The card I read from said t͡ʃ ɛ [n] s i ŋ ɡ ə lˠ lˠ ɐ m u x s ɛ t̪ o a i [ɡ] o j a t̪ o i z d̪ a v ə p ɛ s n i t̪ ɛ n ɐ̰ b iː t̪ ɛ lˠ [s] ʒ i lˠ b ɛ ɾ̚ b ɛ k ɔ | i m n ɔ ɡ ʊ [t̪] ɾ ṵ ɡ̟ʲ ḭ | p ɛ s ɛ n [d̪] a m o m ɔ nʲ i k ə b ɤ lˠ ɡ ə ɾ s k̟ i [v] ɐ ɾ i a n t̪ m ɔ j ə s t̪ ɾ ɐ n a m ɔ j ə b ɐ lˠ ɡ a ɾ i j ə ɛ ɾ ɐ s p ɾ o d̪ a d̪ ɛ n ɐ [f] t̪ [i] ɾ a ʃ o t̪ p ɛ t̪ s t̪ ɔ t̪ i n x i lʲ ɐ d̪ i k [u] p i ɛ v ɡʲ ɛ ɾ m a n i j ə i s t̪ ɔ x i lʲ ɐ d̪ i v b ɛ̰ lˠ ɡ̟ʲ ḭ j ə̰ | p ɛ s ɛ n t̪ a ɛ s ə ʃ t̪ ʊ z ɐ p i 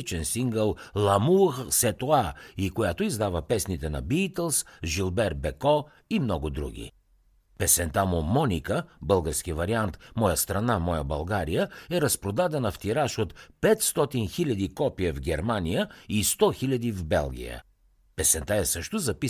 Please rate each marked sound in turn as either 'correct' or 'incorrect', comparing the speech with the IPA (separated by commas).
correct, incorrect, correct, incorrect, incorrect, correct, correct, correct, incorrect